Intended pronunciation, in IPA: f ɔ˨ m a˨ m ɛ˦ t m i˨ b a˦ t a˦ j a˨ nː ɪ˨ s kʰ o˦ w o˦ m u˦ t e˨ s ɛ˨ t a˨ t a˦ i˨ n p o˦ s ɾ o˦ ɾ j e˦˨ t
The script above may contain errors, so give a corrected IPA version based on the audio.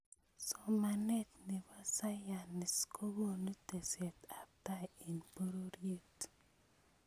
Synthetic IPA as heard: s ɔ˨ m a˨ n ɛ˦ t n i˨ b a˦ s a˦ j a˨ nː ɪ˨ s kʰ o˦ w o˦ n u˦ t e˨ s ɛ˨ t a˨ t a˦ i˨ n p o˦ ɾ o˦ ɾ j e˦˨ t

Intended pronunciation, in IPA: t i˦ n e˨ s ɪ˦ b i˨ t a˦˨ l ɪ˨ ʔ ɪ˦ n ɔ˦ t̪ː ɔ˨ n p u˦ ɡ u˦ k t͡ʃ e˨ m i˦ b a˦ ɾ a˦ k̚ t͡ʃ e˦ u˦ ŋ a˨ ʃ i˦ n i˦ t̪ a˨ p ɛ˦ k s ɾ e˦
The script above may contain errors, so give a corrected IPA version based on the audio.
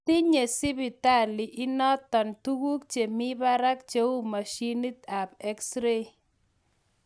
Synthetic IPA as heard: t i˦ ɲ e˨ s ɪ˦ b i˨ t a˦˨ l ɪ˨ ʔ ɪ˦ n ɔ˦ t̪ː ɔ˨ n t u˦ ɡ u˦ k t͡ʃ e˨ m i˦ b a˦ ɾ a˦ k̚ t͡ʃ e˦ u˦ m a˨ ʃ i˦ n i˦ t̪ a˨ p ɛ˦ k s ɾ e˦

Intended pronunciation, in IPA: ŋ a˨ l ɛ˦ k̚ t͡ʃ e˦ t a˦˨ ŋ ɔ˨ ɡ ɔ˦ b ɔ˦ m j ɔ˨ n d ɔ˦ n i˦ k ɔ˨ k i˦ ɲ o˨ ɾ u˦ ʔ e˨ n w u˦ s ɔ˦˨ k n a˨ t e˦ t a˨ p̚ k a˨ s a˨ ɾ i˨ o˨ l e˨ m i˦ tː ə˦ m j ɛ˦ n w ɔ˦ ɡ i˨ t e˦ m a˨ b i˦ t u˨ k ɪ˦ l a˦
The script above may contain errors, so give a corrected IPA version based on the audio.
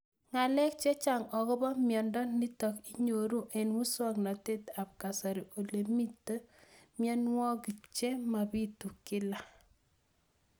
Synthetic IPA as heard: ŋ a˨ l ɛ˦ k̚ t͡ʃ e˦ t͡ʃ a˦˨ ŋ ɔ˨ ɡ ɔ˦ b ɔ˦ m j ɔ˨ n d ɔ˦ n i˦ t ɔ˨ k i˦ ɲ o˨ ɾ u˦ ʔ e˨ n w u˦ s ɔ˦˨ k n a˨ t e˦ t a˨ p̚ k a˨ s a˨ ɾ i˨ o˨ l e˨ m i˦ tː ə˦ m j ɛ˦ n w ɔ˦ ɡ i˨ t͡ʃ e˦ m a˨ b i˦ t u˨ k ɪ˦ l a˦

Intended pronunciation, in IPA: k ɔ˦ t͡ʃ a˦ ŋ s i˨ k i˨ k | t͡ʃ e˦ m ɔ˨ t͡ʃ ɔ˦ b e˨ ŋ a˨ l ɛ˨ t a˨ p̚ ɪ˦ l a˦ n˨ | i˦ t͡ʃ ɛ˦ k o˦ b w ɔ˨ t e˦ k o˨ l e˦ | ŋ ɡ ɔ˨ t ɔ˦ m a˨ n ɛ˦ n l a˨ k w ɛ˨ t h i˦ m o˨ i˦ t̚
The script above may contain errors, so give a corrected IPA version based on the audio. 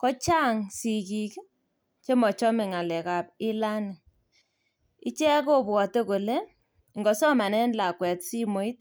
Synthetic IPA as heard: k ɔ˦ t͡ʃ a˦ ŋ s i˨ k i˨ k | t͡ʃ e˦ m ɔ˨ t͡ʃ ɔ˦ m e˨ ŋ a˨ l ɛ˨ k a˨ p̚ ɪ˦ l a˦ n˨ | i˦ t͡ʃ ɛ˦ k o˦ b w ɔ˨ t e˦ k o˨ l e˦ | ŋ ɡ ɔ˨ s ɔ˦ m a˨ n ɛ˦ n l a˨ k w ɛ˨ t s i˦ m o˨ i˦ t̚

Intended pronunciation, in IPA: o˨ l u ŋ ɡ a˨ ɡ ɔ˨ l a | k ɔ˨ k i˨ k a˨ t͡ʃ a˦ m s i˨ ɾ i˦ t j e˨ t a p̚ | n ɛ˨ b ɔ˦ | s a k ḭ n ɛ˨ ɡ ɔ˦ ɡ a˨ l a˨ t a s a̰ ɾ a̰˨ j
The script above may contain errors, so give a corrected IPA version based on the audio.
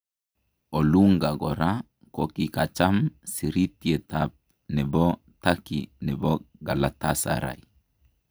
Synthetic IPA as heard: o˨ l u ŋ ɡ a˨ ɡ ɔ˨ ɾ a | k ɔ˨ k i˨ k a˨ t͡ʃ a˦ m s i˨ ɾ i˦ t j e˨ t a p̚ | n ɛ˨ b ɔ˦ | t a k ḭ n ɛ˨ b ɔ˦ ɡ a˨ l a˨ t a s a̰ ɾ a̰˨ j

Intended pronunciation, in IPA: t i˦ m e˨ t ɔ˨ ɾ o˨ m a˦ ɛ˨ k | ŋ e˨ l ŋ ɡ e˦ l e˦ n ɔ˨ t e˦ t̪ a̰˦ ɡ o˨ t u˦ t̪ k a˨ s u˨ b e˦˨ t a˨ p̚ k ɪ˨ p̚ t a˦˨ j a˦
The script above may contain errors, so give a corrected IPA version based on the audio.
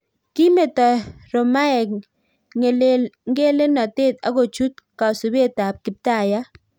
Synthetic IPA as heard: k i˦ m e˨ t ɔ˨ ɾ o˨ m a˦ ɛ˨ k | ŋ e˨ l ŋ ɡ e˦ l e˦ n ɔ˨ t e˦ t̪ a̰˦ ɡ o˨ t͡ʃ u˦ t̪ k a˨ s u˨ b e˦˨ t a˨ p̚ k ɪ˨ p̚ t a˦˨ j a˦

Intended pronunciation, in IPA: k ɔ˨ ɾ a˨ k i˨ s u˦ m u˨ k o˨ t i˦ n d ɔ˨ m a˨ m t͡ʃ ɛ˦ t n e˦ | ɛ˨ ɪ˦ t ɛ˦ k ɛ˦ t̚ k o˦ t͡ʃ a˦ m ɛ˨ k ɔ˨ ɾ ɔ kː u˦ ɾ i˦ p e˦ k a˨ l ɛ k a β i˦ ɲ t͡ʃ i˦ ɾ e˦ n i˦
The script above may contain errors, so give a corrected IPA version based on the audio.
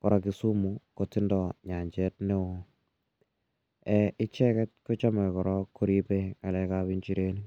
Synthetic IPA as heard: k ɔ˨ ɾ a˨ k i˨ s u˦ m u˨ k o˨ t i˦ n d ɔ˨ ɲ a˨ ɲ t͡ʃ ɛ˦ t n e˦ | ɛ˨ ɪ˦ t͡ʃ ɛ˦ k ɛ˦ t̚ k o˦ t͡ʃ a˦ m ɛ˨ k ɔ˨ ɾ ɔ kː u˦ ɾ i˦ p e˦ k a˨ l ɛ k a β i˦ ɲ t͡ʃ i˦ ɾ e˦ n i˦

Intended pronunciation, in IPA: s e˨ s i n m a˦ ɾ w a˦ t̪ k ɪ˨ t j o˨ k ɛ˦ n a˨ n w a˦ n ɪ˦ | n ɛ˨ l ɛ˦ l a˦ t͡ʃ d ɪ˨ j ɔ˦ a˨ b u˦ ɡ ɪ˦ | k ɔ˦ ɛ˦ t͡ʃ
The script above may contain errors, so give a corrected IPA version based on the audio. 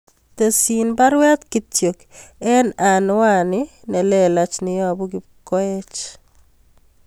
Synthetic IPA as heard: t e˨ s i n b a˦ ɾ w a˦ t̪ k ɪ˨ t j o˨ k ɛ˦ n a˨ n w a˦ n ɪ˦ | n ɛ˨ l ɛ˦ l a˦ t͡ʃ n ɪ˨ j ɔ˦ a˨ b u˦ ɡ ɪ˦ | k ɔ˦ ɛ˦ t͡ʃ

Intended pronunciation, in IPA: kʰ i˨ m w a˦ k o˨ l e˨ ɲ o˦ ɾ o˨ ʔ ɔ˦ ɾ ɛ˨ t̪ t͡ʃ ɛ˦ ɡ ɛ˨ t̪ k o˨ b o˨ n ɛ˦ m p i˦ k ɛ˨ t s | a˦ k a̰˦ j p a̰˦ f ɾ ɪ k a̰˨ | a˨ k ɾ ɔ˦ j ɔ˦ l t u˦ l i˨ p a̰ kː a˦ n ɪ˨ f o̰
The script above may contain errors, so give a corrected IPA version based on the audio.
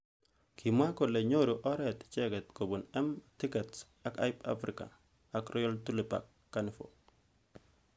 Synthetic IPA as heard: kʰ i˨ m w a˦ k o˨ l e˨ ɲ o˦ ɾ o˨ ʔ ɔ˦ ɾ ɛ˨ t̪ t͡ʃ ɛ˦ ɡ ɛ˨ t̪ k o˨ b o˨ n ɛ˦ m t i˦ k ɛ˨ t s | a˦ k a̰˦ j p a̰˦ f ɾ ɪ k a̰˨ | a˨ k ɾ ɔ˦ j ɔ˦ l t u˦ l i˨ p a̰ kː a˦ n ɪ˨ f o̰

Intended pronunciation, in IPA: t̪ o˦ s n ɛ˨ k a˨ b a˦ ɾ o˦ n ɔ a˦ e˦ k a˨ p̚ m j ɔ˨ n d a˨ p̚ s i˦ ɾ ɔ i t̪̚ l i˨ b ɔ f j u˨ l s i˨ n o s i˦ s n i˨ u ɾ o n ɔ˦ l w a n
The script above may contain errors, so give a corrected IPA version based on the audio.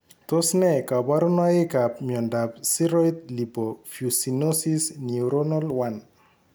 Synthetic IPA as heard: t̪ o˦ s n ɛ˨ k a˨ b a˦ ɾ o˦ n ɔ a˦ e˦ k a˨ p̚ m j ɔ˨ n d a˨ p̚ s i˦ ɾ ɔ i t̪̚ l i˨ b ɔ f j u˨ s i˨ n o s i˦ s n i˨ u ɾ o n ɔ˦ l w a n

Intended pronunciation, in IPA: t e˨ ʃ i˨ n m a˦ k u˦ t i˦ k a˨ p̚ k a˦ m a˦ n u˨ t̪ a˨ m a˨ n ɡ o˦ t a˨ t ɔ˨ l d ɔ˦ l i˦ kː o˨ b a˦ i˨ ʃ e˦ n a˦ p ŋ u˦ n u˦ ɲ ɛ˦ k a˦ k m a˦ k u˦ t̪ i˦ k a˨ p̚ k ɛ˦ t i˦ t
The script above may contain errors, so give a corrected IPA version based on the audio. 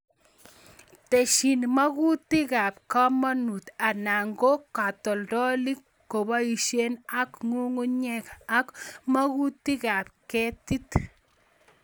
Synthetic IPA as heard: t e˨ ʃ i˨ n m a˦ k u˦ t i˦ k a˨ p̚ k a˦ m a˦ n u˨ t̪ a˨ n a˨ ŋ ɡ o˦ k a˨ t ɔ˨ l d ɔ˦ l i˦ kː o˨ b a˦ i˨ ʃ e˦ n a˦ k ŋ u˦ ŋ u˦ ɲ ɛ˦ k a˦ k m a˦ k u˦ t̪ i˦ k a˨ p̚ k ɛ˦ t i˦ t

